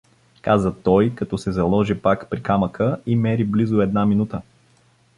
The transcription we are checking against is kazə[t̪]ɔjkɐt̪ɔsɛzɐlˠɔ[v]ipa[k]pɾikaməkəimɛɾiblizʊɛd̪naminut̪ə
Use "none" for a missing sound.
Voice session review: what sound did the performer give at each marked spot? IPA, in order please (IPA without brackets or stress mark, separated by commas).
t̪, ʒ, k